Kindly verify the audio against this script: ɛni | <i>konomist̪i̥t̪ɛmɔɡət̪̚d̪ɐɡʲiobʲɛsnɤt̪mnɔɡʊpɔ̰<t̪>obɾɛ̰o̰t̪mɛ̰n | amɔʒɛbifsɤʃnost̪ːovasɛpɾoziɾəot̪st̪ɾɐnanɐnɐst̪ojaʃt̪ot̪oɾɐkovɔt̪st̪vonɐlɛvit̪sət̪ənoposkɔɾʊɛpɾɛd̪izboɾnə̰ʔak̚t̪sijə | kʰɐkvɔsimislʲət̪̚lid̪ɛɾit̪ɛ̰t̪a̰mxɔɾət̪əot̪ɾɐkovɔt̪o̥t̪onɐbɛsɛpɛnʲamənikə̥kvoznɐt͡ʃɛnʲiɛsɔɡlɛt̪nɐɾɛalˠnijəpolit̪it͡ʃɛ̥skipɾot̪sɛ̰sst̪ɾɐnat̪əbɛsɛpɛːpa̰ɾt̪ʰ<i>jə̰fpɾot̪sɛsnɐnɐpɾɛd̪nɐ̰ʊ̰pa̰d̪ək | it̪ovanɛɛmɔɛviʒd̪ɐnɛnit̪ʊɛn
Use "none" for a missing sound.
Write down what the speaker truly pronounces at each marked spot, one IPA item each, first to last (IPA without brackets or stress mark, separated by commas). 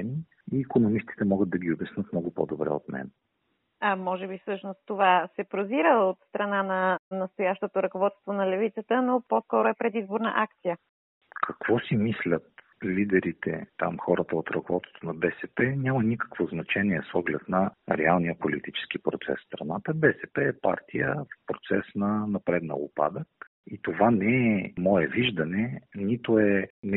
iː, d̪, i